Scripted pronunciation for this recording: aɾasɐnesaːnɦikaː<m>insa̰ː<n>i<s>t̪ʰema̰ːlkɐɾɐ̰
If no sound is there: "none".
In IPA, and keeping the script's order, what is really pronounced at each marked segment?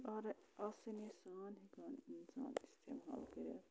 n, n, s

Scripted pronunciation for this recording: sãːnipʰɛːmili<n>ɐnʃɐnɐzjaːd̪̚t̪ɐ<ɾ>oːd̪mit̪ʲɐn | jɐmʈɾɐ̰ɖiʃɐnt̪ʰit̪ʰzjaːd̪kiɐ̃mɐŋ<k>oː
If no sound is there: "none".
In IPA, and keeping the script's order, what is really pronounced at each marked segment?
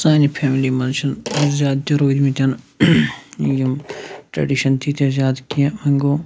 m, ɾ, ɡ

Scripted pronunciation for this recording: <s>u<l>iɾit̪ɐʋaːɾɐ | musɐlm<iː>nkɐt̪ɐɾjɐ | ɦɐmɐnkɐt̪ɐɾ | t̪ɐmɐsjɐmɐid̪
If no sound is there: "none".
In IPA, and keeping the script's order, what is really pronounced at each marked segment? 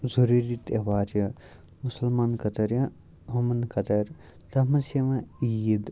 z, ɾ, aː

